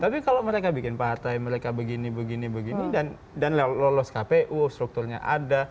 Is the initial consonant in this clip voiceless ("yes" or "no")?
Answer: yes